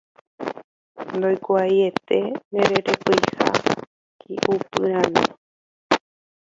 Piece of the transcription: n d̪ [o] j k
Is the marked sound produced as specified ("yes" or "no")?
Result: yes